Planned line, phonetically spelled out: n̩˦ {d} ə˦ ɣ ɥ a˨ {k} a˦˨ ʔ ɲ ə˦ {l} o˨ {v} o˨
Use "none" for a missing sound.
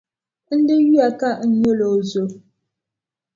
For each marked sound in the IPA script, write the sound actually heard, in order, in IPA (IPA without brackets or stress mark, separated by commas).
d, k, l, z